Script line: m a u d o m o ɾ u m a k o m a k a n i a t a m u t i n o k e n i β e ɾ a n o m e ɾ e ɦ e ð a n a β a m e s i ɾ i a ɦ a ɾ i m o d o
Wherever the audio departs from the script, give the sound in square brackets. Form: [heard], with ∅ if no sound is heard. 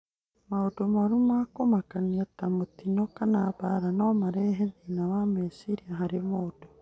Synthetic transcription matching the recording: m a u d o m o ɾ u m a k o m a k a n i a t a m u t i n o k [a] n [a] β [a] ɾ a n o m [a] ɾ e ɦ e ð [i] n a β a m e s i ɾ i a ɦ a ɾ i m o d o